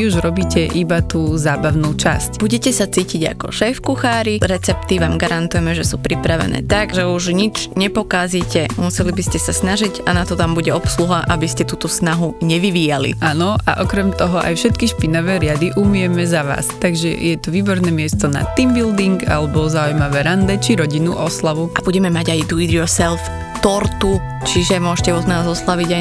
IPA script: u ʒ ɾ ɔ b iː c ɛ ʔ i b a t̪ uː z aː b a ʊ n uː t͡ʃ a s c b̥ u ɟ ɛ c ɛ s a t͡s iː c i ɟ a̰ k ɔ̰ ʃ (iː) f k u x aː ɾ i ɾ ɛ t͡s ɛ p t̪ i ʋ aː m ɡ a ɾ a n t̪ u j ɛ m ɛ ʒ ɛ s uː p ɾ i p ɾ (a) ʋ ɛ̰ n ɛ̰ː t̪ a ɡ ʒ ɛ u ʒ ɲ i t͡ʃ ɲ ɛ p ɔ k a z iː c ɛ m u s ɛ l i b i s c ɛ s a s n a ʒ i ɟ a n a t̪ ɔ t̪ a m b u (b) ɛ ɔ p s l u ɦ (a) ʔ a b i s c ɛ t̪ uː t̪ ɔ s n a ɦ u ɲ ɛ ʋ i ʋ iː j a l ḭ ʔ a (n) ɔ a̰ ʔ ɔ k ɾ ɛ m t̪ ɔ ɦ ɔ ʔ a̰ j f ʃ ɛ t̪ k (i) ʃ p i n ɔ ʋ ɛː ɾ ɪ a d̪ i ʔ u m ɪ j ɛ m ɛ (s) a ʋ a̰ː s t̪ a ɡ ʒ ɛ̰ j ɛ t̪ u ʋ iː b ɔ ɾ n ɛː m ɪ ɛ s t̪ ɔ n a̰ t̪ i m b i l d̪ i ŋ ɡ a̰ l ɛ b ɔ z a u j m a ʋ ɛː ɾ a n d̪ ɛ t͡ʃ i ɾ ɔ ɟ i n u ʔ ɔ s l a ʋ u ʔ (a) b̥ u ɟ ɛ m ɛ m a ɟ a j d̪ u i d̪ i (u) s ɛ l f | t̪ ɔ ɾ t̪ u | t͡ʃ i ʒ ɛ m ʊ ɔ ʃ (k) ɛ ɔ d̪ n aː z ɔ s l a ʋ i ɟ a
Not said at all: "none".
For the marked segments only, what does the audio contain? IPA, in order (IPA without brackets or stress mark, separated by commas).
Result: ɛː, a, ɟ, a, n, i, z, a, ɔ, c